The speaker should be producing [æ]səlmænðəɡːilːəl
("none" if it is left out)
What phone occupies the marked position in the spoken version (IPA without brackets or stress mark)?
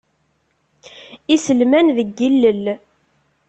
i